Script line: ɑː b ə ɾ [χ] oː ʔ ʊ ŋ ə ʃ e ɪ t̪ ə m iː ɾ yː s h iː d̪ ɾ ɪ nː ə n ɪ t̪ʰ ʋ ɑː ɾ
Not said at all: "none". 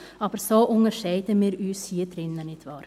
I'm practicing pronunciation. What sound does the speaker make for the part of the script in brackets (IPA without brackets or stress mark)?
s